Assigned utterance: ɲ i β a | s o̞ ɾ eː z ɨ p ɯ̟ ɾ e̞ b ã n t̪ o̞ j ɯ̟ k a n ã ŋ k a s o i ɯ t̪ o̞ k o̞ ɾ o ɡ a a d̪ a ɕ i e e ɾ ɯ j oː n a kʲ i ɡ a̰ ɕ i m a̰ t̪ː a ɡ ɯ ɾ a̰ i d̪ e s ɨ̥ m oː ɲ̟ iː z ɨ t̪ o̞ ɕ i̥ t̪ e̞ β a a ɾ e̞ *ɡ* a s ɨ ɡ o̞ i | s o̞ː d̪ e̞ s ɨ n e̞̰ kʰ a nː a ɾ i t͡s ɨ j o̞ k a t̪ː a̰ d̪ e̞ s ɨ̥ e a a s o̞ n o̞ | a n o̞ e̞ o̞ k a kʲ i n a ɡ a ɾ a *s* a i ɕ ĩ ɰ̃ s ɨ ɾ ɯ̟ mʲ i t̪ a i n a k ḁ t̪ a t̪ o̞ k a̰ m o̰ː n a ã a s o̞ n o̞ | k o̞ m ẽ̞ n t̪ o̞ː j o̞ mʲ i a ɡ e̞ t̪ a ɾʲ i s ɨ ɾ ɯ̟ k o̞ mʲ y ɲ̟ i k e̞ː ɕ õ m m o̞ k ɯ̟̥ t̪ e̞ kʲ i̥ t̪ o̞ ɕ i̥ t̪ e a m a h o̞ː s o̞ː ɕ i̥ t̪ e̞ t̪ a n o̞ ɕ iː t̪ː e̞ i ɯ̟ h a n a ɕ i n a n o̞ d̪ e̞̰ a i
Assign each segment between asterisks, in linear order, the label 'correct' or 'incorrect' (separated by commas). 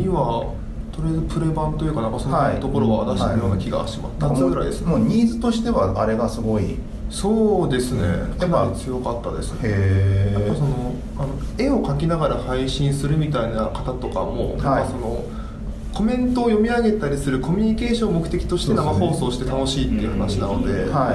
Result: correct, incorrect